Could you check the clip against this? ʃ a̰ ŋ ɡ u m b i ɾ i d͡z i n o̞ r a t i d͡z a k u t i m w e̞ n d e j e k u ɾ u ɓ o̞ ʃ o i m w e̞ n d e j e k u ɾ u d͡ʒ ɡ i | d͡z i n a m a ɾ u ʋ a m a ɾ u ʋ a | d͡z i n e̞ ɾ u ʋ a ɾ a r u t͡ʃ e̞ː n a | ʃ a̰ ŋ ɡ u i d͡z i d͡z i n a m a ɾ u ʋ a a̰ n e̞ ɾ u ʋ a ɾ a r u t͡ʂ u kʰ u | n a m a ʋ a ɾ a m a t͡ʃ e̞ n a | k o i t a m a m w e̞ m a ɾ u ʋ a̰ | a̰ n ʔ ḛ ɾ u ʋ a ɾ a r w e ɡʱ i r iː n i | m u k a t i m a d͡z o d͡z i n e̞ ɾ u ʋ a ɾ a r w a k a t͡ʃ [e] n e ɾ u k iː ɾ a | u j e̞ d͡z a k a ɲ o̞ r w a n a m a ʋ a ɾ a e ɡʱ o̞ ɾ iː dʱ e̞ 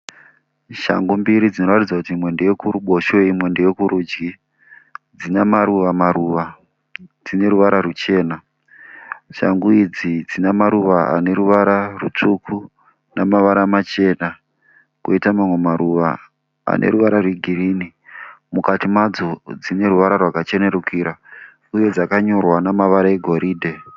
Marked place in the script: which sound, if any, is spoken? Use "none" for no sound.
e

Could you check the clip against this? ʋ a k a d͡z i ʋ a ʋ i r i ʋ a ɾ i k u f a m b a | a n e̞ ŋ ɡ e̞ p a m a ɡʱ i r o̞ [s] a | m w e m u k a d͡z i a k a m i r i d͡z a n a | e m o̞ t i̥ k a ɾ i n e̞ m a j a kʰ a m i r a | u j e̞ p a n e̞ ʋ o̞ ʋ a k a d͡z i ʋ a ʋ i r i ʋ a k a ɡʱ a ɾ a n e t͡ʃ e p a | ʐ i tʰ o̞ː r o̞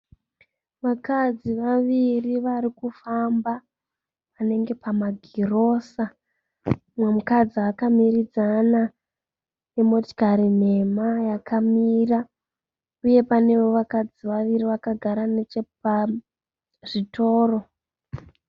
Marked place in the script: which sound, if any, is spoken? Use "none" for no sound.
s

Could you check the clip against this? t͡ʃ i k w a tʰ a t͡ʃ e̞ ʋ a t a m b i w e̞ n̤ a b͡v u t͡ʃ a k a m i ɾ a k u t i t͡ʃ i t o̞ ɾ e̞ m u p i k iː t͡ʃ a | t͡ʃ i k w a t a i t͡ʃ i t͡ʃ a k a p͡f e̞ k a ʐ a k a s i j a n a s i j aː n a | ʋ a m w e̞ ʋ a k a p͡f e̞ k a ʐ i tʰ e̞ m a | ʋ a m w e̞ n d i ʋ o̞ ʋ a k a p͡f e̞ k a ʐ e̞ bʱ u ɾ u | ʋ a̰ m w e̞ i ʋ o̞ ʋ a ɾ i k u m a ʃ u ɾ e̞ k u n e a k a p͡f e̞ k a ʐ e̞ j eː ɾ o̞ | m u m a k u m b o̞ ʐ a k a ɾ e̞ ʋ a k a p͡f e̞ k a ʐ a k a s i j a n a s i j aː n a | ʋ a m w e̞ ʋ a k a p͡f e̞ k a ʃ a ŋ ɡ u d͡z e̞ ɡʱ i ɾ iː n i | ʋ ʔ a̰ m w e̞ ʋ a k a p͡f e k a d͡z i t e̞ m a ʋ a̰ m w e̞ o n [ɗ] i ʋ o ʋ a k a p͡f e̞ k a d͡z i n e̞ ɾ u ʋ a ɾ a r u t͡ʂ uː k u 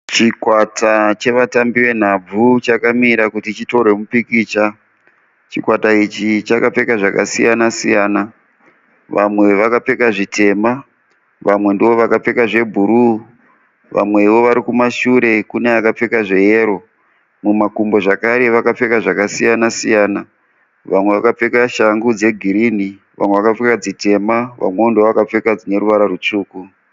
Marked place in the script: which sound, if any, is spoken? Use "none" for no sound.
d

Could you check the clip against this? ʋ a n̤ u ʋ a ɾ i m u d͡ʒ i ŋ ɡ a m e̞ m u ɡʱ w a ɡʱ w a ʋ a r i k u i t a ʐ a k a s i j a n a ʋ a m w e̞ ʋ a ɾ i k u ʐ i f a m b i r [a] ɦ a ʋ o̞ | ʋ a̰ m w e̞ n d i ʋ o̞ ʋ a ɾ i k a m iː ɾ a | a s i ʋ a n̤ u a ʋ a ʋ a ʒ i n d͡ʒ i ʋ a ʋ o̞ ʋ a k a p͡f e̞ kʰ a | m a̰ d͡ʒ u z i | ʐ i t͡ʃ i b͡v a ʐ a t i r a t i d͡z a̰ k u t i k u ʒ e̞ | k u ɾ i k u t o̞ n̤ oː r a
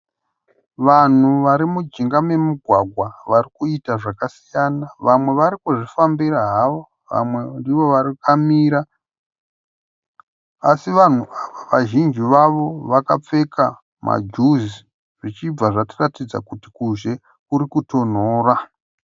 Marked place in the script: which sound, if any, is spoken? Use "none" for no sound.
a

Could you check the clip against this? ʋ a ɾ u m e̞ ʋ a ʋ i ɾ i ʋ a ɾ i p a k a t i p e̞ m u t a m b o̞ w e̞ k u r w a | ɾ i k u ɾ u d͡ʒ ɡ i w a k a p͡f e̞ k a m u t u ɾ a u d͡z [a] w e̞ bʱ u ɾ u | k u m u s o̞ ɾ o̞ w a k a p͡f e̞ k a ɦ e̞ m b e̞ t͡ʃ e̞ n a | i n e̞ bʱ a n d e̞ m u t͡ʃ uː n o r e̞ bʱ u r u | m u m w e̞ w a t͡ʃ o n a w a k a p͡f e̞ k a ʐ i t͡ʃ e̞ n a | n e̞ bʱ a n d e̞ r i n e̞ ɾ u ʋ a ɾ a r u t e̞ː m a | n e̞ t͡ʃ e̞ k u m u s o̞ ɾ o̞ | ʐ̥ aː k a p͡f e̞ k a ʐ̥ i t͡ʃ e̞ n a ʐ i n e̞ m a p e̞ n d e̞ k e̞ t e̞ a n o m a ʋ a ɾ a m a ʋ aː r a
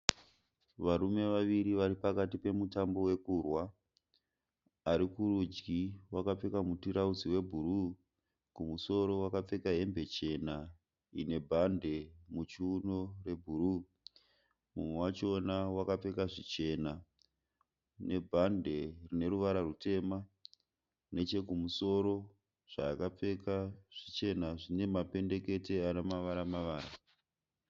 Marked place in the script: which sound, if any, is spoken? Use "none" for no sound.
i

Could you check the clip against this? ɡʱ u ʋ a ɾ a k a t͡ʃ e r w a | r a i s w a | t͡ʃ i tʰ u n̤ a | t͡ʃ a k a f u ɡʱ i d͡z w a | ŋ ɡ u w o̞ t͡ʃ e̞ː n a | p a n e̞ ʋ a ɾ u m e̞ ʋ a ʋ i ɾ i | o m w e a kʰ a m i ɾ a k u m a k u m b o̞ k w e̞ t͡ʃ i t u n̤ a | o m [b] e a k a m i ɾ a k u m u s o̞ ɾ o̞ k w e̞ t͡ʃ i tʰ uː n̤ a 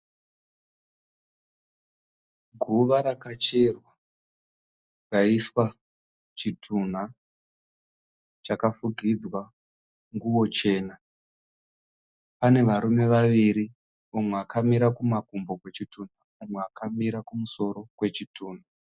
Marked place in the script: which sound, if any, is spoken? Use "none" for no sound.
w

